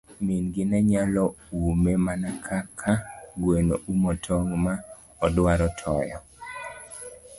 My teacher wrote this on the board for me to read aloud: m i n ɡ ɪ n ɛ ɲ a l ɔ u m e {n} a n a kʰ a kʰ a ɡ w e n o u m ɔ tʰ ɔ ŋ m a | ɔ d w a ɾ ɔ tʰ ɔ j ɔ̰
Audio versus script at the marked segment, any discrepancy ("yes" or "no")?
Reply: yes